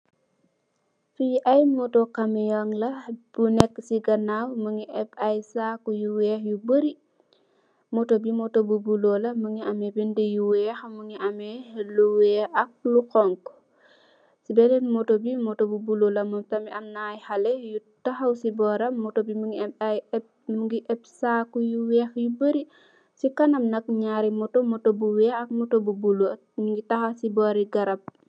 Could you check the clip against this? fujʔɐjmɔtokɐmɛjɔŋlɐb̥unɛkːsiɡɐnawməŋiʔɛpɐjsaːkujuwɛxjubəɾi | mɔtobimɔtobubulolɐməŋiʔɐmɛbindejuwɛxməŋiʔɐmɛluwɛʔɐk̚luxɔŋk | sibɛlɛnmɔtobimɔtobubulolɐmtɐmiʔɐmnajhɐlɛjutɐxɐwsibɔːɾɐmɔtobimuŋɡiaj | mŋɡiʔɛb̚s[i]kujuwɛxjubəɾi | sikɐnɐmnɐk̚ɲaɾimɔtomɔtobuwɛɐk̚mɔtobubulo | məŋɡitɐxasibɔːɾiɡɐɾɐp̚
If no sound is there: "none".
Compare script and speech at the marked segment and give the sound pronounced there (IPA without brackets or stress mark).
a